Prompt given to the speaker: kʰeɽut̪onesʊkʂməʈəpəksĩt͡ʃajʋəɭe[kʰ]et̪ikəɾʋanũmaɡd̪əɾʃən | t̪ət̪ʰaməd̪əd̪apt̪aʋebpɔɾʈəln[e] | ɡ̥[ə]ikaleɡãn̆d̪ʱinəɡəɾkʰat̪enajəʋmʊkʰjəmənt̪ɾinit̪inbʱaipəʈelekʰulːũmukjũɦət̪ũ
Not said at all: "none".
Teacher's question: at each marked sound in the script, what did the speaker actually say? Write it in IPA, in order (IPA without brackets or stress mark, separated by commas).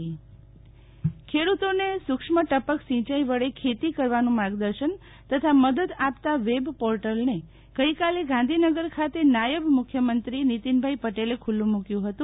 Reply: kʰ, e, ə